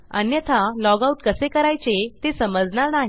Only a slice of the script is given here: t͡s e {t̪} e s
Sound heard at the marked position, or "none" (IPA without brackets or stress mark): t̪